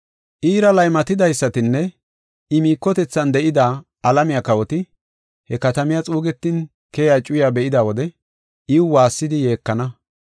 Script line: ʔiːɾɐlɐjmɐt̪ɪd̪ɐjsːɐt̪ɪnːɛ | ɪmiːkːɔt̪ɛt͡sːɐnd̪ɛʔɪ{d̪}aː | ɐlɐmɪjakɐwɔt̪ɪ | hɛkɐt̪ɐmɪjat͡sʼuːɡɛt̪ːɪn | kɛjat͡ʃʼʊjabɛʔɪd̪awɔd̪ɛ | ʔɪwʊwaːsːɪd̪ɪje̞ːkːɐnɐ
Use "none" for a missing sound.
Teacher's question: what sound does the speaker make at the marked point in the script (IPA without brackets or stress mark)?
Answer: d̪